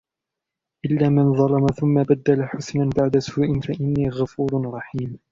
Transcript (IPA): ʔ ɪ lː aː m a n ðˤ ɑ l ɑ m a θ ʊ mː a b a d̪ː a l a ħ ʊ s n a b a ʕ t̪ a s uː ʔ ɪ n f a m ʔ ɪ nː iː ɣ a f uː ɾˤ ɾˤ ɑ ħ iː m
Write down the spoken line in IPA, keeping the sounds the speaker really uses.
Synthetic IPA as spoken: ʔ ɪ lː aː m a n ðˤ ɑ l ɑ m a θ ʊ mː a b a d̪ː a l a ħ ʊ s n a b a ʕ d̪ a s uː ʔ ɪ n f a ʔ ɪ nː iː ɣ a f uː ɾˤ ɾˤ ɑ ħ iː m

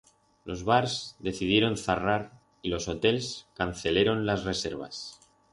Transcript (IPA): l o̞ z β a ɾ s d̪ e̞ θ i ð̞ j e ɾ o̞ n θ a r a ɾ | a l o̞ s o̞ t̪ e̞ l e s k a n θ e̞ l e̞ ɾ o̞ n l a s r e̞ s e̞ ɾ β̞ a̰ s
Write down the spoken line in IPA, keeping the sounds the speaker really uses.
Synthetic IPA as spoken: l o̞ z β a ɾ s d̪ e̞ θ i ð̞ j e ɾ o̞ n θ a r a ɾ | i l o̞ s o̞ t̪ e̞ l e s k a n θ e̞ l e̞ ɾ o̞ n l a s r e̞ s e̞ ɾ β̞ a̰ s

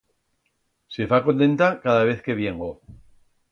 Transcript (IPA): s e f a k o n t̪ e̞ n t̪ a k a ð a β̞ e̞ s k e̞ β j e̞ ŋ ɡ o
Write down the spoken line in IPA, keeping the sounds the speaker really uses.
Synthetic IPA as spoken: s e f a k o n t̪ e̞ n t̪ a k a ð a β̞ e̞ θ k e̞ β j e̞ ŋ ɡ o

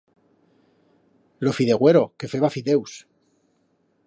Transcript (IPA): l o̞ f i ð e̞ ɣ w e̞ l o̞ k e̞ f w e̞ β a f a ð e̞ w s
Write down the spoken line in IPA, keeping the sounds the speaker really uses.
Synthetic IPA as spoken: l o̞ f i ð e̞ ɣ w e̞ ɾ o̞ k e̞ f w e̞ β a f i ð e̞ w s

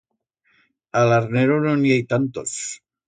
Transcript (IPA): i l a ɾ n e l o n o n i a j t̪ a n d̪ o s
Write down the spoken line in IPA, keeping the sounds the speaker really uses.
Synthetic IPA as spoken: a l a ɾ n e ɾ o n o n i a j t̪ a n t̪ o s

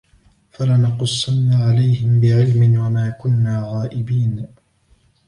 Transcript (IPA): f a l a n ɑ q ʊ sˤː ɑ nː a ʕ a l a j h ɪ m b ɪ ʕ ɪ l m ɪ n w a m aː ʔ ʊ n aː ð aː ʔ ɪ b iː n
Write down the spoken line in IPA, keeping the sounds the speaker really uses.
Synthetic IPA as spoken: f a l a n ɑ q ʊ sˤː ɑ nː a ʕ a l a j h ɪ m b ɪ ʕ ɪ l m ɪ n w a m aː k ʊ nː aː ɣ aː ʔ ɪ b iː n

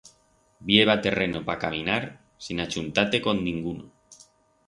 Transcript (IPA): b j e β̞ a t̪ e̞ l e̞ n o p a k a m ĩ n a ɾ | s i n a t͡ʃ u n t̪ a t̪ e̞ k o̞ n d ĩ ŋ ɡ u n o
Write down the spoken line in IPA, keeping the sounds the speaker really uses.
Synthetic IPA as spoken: b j e β̞ a t̪ e̞ r e̞ n o p a k a m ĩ n a ɾ | s i n a t͡ʃ u n t̪ a t̪ e̞ k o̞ n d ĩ ŋ ɡ u n o

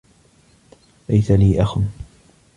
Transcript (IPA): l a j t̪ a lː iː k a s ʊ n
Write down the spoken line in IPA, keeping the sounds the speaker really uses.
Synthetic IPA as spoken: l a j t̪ a l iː ʔ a x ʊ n

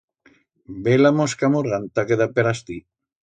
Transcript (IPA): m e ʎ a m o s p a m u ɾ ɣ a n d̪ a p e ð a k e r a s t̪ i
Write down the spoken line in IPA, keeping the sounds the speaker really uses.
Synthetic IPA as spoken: b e l a m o s k a m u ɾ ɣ a n t̪ a k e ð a p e ɾ a s t̪ i

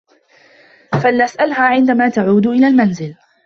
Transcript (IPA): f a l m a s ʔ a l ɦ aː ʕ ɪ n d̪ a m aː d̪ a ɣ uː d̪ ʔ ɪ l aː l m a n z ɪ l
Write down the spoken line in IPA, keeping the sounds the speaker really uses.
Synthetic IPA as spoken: f a l n a s ʔ a l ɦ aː ʕ ɪ n d̪ a m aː t̪ a ʕ uː d̪ ʔ ɪ l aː l m a n z ɪ l

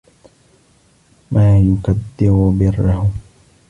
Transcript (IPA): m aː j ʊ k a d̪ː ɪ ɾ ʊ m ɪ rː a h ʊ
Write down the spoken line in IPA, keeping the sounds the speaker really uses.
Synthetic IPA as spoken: m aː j ʊ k a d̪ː ɪ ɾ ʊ b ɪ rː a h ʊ

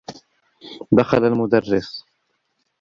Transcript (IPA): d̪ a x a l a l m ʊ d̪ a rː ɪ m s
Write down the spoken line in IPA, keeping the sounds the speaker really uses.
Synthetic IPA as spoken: d̪ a x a l a l m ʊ d̪ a rː ɪ s

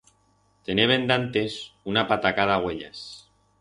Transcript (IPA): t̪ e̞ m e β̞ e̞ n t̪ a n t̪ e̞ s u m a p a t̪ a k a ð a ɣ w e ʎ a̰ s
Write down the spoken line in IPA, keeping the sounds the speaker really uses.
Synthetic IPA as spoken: t̪ e̞ n e β̞ e̞ n d̪ a n t̪ e̞ s u n a p a t̪ a k a ð a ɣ w e ʎ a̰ s

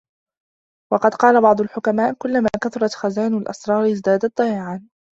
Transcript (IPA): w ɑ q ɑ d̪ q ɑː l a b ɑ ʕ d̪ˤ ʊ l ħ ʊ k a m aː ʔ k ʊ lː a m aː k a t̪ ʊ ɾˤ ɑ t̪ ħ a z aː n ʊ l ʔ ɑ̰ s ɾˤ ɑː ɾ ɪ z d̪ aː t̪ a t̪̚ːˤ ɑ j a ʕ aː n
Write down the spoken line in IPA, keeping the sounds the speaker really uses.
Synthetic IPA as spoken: w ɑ q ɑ d̪ q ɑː l a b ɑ ʕ d̪ˤ ʊ l ħ ʊ k a m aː ʔ k ʊ lː a m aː k a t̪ ʊ ɾˤ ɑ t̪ x a z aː n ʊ l ʔ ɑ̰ s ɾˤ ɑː ɾ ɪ z d̪ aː d̪ a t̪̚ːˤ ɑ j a ʕ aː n

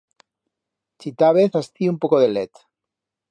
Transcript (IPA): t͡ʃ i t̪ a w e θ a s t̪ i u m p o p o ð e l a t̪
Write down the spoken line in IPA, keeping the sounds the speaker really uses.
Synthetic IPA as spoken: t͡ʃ i t̪ a β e θ a s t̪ i u m p o k o ð e l e t̪

